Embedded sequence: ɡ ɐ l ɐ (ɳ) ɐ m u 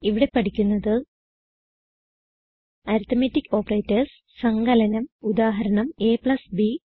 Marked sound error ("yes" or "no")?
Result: yes